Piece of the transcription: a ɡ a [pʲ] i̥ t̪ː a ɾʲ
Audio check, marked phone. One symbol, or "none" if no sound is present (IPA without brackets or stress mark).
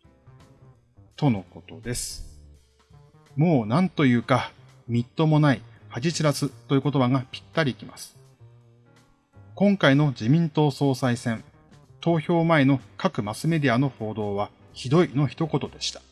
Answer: pʲ